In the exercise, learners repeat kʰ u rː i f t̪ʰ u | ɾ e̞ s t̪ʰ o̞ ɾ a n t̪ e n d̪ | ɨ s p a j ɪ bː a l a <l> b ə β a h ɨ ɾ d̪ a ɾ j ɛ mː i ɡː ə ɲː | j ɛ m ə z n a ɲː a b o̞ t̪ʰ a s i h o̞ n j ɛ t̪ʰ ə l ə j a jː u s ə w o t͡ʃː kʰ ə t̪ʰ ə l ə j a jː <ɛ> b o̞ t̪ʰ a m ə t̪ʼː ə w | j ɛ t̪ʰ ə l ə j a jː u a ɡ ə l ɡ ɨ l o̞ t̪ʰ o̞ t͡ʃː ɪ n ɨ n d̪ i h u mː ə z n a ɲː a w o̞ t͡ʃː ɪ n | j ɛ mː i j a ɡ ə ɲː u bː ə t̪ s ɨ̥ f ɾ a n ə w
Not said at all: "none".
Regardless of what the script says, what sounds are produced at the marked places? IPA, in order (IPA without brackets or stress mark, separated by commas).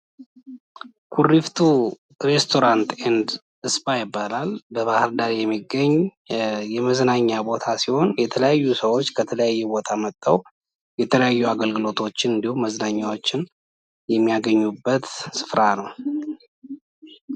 l, ɛ